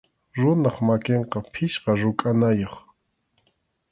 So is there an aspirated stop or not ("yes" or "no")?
yes